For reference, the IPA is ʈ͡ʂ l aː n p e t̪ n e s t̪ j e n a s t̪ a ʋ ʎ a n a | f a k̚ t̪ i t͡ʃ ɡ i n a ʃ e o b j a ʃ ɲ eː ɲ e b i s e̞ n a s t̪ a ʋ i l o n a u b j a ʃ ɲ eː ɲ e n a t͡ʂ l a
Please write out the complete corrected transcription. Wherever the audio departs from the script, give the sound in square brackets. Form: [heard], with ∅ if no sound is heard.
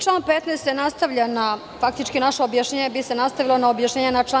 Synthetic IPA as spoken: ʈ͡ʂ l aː n p e t̪ n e s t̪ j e n a s t̪ a ʋ ʎ a n a | f a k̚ t̪ i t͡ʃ [k] i n a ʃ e o b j a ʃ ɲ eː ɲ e b i s e̞ n a s t̪ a ʋ i l o n a [o] b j a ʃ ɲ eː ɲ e n a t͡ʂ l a